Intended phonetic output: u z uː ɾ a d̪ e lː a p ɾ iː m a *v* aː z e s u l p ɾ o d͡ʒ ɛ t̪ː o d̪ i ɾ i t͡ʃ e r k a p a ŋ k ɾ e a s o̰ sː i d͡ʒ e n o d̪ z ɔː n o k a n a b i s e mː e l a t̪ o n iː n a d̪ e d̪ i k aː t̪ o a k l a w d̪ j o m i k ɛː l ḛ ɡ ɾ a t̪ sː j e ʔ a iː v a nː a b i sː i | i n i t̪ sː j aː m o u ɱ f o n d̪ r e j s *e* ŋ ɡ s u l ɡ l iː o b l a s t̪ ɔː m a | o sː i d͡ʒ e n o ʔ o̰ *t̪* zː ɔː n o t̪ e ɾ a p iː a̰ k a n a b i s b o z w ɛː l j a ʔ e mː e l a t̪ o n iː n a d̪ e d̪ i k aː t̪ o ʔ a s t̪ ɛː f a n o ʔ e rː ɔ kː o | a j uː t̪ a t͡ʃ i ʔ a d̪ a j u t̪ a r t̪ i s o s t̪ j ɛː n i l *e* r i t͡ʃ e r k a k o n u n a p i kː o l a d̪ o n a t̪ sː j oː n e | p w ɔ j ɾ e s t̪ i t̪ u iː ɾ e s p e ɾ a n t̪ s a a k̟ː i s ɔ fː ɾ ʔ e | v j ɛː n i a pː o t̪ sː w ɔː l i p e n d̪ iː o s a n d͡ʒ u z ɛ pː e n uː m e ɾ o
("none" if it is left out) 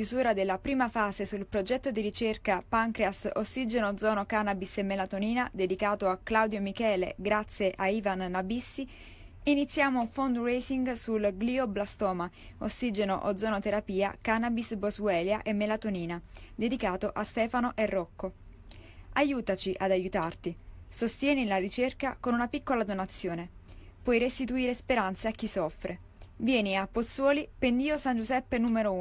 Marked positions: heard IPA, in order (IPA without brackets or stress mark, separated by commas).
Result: f, i, d̪, a